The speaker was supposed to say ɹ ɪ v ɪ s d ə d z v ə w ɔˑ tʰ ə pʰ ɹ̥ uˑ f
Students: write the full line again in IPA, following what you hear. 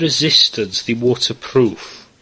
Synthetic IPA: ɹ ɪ z ɪ s t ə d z ð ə w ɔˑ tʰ ə pʰ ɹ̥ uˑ f